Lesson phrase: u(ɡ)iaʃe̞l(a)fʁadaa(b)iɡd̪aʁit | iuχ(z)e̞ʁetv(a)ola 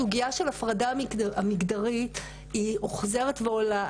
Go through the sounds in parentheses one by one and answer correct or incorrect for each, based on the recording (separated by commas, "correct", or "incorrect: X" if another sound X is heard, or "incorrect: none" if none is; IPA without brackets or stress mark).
correct, correct, incorrect: m, correct, incorrect: e